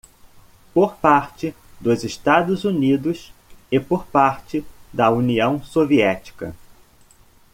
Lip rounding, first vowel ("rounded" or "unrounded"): rounded